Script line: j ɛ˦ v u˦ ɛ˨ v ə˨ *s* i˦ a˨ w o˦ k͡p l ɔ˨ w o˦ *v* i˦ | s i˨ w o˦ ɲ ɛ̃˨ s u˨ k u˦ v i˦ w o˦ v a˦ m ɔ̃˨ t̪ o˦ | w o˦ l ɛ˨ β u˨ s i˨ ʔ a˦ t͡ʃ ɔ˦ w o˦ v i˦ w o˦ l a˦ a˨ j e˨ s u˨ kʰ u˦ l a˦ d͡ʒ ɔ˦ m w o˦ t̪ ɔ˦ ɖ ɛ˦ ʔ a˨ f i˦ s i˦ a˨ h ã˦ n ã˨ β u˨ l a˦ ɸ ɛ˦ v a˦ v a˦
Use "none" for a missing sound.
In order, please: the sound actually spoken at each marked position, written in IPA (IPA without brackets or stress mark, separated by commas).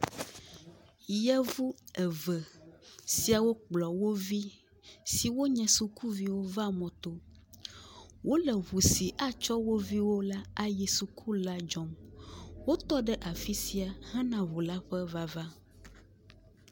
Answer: s, v